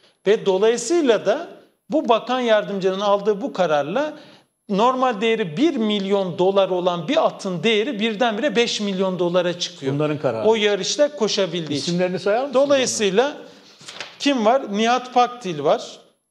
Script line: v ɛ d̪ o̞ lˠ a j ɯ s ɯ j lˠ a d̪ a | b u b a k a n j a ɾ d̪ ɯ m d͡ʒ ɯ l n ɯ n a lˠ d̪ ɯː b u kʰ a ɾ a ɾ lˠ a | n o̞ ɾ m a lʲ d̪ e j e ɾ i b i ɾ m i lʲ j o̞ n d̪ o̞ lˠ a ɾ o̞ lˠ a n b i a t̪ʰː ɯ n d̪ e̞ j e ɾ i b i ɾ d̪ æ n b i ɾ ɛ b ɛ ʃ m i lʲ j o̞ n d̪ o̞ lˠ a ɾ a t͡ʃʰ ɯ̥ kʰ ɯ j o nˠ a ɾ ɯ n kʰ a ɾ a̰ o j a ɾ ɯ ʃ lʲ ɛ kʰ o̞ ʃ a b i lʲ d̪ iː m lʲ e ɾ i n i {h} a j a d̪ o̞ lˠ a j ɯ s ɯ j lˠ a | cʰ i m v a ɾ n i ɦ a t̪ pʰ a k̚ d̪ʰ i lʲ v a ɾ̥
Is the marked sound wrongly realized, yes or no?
yes